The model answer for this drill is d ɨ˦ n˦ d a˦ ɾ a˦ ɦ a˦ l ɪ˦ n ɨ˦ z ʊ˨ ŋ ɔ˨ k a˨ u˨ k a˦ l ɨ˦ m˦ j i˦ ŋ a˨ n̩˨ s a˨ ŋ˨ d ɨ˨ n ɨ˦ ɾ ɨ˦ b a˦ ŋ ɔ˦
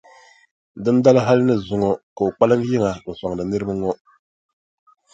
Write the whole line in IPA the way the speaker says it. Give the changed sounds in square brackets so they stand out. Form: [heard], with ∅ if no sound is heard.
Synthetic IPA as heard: d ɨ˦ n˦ d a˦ [l] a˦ ɦ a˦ l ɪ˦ n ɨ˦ z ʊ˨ ŋ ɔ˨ k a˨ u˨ [k͡p] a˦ l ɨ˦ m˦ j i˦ ŋ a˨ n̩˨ s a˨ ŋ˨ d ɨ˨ n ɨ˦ ɾ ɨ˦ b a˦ ŋ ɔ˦